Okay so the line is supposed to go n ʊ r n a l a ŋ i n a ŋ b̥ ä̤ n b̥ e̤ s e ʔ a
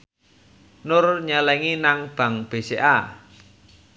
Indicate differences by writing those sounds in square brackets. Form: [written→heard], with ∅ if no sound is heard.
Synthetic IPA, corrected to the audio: n ʊ r [n→ɲ] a l [a→ɛ] ŋ i n a ŋ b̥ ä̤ [n→ŋ] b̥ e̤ s e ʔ a